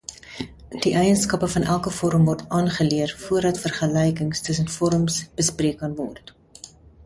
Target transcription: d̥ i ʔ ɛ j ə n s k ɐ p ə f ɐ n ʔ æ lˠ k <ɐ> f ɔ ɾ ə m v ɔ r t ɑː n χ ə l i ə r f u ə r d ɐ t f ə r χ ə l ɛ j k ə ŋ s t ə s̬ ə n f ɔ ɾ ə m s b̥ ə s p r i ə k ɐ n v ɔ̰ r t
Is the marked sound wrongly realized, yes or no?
yes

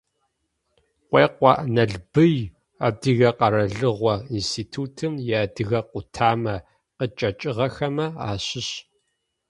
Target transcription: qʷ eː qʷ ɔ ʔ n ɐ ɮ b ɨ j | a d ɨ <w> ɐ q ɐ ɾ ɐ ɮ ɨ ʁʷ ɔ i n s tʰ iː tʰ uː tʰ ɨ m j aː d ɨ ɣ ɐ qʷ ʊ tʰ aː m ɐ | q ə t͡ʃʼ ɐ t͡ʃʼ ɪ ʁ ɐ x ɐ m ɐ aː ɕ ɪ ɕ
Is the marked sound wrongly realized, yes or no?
yes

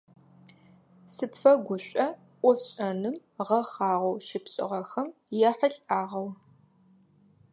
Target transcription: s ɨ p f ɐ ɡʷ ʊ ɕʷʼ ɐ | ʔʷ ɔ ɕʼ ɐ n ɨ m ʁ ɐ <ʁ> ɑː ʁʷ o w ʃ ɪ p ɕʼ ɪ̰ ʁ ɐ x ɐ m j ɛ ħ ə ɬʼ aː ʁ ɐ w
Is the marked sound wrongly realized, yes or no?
yes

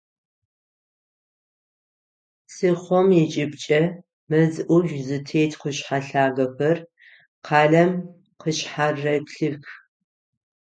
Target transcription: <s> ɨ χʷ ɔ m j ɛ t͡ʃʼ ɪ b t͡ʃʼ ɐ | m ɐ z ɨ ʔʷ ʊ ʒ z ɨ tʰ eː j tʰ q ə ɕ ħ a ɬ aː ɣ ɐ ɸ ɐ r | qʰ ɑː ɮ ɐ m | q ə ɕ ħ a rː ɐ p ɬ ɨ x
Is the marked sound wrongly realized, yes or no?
no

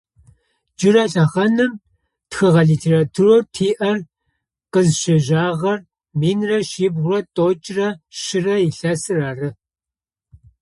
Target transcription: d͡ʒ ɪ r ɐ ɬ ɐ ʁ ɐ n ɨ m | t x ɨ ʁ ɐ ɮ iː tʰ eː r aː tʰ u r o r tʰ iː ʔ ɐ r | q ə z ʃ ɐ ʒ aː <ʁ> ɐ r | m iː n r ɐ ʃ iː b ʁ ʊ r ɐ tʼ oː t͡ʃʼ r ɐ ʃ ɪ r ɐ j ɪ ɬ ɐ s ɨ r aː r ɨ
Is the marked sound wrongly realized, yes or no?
no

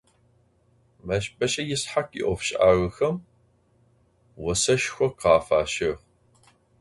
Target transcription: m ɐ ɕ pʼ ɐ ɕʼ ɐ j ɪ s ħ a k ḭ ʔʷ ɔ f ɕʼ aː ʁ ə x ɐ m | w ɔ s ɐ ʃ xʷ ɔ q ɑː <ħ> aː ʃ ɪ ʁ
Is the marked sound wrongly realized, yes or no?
yes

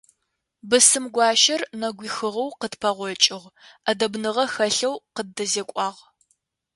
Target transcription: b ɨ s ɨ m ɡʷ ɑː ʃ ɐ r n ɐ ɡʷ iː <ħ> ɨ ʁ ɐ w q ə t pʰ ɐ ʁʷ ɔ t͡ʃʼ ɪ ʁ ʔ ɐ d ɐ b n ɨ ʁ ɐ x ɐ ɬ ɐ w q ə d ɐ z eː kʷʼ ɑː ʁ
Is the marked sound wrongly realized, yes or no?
yes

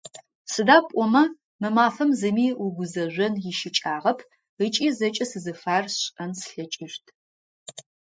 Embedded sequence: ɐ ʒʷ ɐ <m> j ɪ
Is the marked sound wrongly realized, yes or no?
yes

